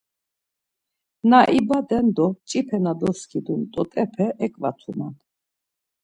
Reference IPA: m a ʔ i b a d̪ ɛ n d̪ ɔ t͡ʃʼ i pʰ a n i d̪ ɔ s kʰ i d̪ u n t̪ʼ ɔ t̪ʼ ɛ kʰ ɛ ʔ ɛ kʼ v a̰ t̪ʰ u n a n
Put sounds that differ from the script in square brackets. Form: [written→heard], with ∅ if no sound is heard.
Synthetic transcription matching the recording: [m→n] a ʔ i b a d̪ ɛ n d̪ ɔ t͡ʃʼ i pʰ [a→ɛ] n [i→a] d̪ ɔ s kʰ i d̪ u n t̪ʼ ɔ t̪ʼ ɛ [kʰ→pʰ] ɛ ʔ ɛ kʼ v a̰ t̪ʰ u n a n